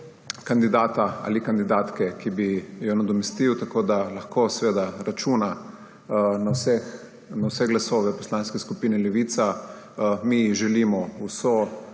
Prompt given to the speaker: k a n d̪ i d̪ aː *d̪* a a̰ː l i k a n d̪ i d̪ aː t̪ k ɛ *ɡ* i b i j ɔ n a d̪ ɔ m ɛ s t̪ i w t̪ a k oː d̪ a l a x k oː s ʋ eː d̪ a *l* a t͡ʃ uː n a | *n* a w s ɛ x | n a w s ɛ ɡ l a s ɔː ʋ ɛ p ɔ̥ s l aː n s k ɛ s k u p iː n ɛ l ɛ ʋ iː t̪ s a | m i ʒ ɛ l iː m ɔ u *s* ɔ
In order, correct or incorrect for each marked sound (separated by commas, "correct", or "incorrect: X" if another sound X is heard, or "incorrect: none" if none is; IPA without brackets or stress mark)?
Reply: incorrect: t̪, incorrect: k, incorrect: ɾ, correct, correct